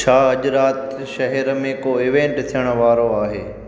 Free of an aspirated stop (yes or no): no